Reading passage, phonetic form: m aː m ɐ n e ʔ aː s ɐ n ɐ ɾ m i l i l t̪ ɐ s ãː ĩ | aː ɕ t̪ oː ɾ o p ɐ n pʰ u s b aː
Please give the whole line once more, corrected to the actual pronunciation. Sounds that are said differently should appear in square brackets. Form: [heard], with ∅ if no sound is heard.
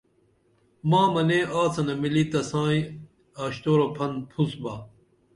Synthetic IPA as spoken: m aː m ɐ n e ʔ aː [t͡s] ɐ n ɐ [∅] m i l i [∅] t̪ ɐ s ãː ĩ | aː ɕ t̪ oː ɾ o [pʰ] ɐ n pʰ u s b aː